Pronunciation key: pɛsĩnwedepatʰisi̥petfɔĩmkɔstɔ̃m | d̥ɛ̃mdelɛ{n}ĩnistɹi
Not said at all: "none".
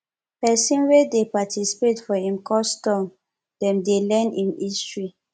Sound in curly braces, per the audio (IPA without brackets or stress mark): n